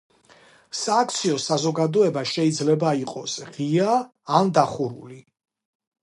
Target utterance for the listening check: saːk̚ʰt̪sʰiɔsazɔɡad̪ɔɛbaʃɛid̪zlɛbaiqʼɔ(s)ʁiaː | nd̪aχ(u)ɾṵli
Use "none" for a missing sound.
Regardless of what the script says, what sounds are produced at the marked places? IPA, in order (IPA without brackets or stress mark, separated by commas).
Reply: s, u